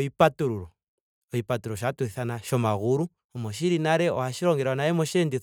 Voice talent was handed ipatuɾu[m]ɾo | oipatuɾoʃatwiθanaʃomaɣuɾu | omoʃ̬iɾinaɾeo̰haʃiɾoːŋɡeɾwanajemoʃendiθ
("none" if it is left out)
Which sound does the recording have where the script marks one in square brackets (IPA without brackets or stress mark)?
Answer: none